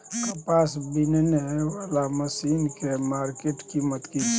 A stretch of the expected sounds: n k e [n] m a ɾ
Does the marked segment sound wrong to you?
yes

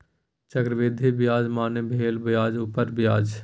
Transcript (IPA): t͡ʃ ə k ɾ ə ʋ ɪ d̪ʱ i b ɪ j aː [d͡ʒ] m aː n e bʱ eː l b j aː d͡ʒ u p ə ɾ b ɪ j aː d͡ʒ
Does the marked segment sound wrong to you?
no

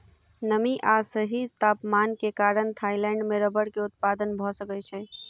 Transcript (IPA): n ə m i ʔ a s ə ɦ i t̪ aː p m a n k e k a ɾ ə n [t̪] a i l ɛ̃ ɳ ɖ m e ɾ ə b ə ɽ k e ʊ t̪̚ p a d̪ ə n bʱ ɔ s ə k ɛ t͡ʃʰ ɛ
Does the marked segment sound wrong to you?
yes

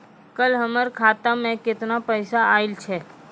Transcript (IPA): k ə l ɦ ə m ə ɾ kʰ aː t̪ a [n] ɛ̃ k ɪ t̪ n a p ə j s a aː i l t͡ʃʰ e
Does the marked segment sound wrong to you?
yes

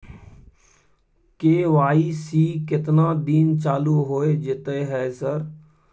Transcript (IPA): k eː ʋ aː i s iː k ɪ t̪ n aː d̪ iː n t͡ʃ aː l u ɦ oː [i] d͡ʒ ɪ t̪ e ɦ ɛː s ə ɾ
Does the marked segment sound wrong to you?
yes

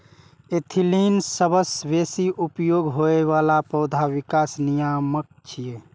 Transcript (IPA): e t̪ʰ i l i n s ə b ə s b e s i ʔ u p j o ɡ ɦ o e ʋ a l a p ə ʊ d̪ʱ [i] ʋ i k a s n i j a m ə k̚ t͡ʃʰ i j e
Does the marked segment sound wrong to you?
yes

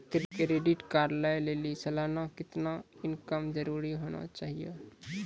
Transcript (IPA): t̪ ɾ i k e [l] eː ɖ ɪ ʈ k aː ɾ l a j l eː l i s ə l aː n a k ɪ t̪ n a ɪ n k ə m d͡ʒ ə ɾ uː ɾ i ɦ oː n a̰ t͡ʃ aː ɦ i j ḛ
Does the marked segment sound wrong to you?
yes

